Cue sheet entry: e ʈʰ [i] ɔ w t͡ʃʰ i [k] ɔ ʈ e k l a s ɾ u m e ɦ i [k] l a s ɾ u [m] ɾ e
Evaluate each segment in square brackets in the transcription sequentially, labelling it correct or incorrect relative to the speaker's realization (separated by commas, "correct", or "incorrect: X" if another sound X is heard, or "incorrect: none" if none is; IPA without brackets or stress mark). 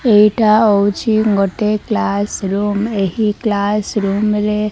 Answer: incorrect: a, incorrect: ɡ, correct, correct